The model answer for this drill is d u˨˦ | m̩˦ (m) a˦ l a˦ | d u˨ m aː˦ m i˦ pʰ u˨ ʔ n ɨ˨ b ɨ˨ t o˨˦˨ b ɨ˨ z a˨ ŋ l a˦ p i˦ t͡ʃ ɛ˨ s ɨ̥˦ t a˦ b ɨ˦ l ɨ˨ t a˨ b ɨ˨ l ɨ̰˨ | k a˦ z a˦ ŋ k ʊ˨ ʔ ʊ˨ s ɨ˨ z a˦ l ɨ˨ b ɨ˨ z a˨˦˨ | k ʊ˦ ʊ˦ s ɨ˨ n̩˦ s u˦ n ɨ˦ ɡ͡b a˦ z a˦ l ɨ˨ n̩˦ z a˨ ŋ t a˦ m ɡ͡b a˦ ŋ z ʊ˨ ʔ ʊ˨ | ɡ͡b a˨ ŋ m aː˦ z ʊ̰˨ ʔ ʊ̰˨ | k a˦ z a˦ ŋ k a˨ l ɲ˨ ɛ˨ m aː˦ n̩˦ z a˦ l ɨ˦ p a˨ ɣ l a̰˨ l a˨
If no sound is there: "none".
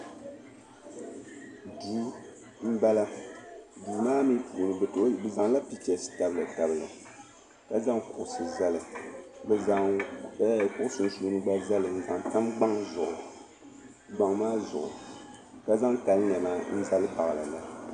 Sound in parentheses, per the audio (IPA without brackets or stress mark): b